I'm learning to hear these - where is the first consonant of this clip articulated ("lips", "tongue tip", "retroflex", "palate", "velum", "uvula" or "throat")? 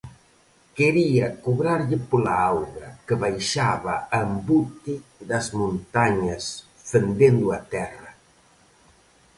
velum